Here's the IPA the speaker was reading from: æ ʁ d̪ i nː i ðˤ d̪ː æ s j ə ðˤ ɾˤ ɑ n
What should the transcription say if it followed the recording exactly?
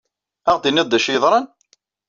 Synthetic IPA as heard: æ ʁ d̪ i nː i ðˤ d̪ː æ ʃ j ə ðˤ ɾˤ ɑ n